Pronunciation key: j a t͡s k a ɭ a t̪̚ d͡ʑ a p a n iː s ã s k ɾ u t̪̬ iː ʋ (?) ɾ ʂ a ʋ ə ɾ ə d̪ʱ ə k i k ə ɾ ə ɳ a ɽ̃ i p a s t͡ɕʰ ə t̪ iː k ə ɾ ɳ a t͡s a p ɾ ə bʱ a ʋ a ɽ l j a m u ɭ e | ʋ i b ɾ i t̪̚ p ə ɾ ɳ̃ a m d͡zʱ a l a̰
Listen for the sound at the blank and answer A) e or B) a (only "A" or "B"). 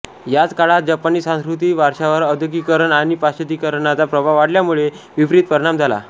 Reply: B